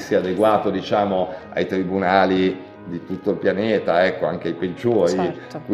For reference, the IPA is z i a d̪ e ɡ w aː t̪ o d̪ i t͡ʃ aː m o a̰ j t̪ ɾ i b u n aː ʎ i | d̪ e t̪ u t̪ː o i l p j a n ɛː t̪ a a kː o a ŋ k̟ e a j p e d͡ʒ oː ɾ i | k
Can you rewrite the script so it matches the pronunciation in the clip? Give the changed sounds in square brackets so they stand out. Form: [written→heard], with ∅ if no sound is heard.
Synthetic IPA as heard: [z→s] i a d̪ e ɡ w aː t̪ o d̪ i t͡ʃ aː m o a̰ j t̪ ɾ i b u n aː [ʎ→l] i | d̪ [e→i] t̪ u t̪ː o i l p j a n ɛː t̪ a [a→ɛ] kː o a ŋ k̟ e a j p e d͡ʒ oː ɾ i | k